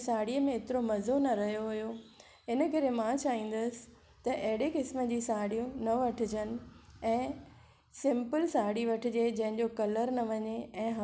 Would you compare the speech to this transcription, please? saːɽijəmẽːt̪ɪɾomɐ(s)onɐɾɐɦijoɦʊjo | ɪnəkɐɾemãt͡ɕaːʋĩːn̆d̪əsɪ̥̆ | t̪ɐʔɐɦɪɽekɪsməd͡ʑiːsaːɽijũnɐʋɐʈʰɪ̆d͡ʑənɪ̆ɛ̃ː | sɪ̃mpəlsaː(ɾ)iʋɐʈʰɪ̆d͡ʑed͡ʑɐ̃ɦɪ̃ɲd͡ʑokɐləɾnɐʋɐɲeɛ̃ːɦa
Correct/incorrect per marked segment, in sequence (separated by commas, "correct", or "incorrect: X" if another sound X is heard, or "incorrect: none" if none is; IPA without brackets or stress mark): incorrect: z, incorrect: ɽ